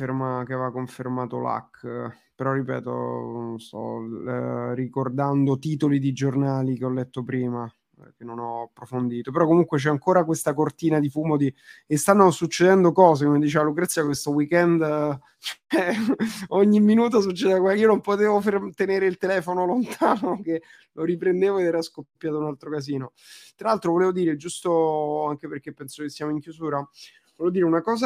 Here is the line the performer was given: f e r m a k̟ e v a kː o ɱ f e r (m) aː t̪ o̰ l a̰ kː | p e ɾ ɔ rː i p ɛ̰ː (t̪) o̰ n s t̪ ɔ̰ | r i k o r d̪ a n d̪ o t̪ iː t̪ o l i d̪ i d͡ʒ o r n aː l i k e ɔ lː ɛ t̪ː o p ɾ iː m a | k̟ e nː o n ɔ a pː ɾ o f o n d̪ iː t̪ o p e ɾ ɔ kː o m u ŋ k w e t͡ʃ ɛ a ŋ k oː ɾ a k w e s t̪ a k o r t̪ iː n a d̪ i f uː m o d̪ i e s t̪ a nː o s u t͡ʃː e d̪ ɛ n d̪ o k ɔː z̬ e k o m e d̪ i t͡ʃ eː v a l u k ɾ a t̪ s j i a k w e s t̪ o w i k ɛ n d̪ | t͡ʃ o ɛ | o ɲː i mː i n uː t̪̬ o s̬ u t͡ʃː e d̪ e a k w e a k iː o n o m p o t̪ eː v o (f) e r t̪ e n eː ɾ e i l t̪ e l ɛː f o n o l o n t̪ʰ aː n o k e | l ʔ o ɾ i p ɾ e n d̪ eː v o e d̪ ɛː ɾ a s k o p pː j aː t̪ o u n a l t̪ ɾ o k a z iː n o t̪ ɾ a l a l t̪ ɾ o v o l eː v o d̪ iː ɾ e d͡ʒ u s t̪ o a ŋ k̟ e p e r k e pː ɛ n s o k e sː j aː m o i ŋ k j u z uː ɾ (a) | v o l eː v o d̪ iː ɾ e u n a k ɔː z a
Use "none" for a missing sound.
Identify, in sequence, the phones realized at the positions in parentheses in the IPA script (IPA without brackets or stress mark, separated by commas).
m, t̪, f, a